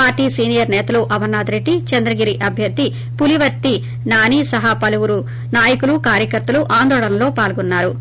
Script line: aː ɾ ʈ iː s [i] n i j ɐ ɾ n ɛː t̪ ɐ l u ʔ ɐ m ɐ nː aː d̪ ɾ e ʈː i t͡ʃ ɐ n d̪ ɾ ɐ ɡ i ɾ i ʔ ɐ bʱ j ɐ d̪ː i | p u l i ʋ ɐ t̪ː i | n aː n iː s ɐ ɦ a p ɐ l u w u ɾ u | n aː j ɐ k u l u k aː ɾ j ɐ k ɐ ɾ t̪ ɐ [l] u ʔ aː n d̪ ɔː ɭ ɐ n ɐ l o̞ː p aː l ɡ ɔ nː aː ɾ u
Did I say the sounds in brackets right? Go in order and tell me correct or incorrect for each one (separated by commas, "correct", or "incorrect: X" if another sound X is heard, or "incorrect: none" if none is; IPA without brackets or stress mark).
incorrect: iː, correct